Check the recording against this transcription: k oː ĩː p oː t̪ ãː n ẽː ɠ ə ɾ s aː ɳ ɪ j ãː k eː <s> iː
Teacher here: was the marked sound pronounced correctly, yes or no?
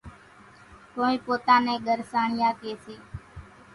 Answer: yes